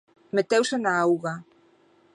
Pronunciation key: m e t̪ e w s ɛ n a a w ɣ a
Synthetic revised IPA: m e t̪ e w s e n a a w ɣ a